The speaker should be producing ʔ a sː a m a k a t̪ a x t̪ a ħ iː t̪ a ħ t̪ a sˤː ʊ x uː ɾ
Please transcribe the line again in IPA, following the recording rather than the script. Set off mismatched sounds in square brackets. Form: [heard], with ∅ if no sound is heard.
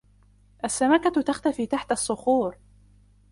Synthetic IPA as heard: ʔ a sː a m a k a t̪ a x t̪ a [f] iː t̪ a ħ t̪ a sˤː ʊ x uː ɾ